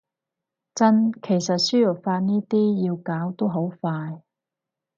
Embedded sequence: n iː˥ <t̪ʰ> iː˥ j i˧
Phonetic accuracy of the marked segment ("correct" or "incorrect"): incorrect